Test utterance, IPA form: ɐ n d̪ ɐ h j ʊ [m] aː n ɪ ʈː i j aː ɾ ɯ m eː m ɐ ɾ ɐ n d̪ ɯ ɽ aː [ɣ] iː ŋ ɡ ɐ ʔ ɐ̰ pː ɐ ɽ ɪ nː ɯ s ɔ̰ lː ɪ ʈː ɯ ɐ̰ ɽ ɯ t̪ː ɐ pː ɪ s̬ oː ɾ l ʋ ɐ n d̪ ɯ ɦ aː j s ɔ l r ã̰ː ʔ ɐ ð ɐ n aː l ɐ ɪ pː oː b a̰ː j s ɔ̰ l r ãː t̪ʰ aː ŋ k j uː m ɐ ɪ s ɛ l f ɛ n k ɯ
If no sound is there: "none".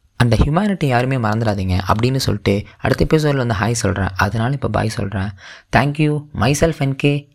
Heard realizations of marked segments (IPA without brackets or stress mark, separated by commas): m, ð